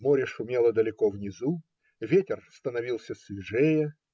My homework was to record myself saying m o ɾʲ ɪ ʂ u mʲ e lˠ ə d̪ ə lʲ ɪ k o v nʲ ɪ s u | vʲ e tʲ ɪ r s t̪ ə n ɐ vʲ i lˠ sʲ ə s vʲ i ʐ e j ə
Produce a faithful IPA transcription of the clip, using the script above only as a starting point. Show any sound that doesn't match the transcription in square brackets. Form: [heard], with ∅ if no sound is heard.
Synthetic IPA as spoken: m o ɾʲ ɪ ʂ [ʊ] mʲ e lˠ ə d̪ ə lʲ ɪ k o v nʲ ɪ [z] u | vʲ e tʲ ɪ r s t̪ ə n ɐ vʲ i lˠ sʲ ə s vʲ [ɪ] ʐ e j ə